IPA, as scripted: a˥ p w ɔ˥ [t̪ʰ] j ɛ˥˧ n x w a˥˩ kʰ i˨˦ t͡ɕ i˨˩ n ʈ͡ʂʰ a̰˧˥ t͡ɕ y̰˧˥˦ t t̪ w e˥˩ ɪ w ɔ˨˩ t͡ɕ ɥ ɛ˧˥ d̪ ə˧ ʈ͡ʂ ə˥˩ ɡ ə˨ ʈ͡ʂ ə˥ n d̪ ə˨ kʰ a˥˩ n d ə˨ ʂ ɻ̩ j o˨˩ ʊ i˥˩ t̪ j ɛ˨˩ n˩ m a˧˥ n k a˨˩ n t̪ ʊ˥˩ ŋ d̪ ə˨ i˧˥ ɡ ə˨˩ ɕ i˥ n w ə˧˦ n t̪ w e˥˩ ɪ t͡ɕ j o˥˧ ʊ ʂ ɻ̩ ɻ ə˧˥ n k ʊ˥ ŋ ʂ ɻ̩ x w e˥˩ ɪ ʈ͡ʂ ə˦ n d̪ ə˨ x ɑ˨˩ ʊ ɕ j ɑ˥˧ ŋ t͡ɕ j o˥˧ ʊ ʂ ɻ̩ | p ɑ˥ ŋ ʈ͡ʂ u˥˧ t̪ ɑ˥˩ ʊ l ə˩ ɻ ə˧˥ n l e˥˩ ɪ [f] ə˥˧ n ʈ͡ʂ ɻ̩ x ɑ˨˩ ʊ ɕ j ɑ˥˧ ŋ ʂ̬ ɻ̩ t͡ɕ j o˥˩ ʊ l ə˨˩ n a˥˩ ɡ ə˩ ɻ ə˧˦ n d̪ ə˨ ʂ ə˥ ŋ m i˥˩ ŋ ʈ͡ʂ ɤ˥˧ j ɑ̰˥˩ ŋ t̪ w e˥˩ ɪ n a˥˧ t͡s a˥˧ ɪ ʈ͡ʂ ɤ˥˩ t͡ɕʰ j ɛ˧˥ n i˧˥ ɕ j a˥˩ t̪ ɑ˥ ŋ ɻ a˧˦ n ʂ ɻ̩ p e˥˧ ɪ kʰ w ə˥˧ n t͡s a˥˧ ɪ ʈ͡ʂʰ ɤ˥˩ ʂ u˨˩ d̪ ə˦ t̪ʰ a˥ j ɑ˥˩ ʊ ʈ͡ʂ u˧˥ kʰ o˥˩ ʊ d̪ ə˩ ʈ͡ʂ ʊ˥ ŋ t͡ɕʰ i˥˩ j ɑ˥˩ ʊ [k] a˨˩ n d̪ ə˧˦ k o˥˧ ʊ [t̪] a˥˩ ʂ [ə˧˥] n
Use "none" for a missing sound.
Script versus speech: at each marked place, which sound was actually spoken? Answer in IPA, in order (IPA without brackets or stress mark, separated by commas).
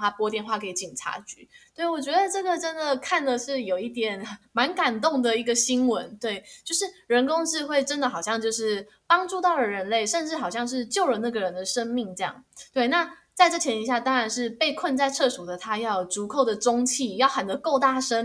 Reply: t̪, ʂ, x, t̪, ə˥